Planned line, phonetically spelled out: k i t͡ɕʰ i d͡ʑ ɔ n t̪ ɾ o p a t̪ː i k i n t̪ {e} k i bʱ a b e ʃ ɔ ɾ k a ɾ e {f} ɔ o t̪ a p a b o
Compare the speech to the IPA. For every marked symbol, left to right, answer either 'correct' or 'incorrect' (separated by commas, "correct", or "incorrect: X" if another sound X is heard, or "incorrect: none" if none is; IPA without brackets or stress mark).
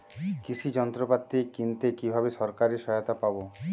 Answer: correct, incorrect: ʃ